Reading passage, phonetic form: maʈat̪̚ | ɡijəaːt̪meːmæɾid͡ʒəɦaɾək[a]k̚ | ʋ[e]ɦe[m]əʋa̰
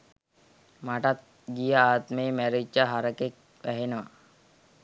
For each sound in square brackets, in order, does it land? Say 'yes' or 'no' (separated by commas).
no, no, no